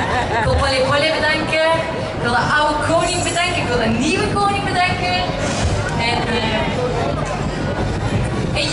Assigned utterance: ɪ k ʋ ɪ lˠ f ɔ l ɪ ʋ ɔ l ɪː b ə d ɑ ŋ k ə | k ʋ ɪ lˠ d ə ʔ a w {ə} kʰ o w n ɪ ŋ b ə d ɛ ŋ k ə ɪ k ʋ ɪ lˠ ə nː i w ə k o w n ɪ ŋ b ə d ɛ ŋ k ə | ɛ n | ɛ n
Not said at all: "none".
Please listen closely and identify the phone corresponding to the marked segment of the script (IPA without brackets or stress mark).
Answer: ə